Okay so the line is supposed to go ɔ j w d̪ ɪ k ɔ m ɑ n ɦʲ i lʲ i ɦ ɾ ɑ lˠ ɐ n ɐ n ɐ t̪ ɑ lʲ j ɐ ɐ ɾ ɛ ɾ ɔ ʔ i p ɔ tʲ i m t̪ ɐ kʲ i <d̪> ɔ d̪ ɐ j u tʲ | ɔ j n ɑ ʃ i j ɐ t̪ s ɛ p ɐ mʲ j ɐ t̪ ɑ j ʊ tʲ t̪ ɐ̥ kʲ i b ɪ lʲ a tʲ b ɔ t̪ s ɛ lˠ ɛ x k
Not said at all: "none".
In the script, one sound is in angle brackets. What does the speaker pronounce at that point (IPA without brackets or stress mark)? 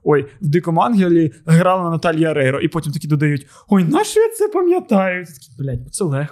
d̪